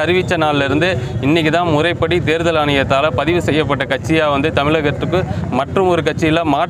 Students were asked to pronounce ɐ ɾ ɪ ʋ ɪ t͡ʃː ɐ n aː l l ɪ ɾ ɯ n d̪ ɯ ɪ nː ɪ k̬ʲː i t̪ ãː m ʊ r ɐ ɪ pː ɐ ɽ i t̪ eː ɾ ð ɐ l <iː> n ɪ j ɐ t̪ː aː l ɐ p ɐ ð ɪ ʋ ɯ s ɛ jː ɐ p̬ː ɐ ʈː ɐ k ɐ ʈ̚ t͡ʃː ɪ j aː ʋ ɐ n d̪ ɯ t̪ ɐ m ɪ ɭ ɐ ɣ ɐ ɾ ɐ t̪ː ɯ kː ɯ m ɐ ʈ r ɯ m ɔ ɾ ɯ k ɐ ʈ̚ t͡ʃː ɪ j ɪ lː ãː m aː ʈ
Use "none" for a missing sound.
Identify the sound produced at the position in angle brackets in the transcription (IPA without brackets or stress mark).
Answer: aː